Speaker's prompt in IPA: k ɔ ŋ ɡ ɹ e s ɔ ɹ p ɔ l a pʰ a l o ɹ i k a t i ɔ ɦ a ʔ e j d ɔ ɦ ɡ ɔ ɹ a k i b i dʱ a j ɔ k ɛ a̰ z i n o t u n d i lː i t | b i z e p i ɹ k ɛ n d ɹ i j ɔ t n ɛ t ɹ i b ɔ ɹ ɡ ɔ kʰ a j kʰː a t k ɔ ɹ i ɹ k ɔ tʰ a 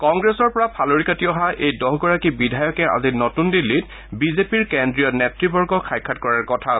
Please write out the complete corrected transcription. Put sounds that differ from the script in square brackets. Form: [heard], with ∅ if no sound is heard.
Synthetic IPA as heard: k ɔ ŋ ɡ ɹ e s ɔ ɹ p ɔ [ɹ] a pʰ a l o ɹ i k a t i ɔ ɦ a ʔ e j d ɔ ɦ ɡ ɔ ɹ a k i b i dʱ a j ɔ k ɛ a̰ z i n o t u n d i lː i t | b i z e p i ɹ k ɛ n d ɹ i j ɔ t n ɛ t ɹ i b ɔ ɹ ɡ ɔ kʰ a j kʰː a t k ɔ ɹ [a] ɹ k ɔ tʰ a